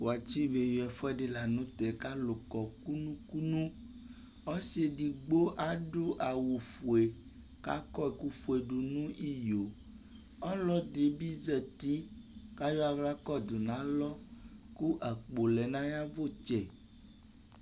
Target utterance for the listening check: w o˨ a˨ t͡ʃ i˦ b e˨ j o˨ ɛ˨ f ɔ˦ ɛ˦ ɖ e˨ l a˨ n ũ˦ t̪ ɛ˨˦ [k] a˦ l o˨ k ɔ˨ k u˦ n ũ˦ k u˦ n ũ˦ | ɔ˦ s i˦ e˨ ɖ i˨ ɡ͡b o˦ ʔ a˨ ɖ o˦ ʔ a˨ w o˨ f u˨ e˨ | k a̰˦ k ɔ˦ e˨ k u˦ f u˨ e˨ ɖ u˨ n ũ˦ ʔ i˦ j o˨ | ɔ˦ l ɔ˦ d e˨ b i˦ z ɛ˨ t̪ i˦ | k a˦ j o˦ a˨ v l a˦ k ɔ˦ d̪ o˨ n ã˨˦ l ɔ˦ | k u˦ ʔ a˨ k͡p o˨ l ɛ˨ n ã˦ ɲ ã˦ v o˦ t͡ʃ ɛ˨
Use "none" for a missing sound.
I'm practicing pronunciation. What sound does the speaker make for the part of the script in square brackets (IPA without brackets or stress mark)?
k